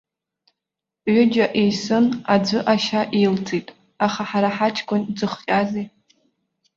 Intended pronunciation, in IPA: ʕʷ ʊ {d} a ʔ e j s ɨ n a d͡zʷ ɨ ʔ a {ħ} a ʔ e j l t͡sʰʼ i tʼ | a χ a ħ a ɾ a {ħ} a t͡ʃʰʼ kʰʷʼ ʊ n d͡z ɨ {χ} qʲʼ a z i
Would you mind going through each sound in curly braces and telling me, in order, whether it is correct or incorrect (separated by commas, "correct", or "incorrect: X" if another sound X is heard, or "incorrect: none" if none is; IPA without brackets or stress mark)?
incorrect: d͡ʒ, incorrect: ʃ, correct, correct